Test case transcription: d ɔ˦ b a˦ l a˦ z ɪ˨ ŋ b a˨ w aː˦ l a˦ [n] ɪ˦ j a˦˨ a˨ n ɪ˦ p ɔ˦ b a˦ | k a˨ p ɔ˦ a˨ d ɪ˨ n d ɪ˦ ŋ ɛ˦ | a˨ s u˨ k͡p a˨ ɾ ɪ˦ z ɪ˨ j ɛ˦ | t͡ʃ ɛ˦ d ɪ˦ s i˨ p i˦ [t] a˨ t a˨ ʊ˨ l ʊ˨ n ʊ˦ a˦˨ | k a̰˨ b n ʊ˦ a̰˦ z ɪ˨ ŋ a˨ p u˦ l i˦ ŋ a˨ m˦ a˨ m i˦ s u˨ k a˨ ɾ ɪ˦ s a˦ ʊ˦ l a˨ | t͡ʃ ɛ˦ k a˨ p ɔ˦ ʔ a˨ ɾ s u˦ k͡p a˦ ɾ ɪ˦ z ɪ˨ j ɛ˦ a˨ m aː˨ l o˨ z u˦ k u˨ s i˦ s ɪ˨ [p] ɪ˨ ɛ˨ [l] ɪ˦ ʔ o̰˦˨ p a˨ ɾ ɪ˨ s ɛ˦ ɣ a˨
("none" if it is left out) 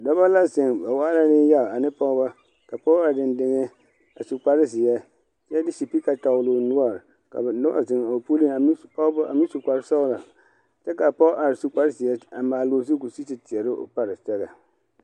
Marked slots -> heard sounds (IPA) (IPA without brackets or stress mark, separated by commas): n, k, t, ɾ